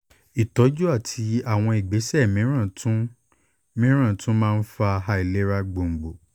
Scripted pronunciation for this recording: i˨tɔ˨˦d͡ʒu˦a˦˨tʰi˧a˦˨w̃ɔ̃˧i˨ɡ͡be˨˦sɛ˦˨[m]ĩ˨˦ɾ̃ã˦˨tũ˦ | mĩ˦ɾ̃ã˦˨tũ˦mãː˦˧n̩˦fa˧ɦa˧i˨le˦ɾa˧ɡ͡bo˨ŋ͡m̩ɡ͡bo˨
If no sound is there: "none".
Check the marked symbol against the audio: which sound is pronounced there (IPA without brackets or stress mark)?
m